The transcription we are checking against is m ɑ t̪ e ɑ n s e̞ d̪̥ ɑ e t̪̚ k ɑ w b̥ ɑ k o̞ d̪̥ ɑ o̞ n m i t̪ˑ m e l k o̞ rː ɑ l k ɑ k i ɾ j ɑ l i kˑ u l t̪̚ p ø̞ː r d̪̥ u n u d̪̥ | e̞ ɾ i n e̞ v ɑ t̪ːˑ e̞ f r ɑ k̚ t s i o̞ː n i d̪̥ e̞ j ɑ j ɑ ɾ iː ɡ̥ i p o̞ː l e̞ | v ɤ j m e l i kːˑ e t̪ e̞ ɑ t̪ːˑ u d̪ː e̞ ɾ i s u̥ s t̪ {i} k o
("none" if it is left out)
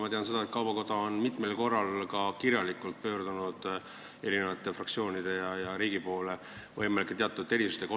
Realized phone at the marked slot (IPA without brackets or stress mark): e